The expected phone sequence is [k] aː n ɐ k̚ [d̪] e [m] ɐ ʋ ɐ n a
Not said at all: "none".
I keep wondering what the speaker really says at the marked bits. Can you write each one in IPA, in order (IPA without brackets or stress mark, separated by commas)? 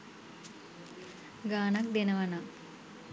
ɡ, d̪, n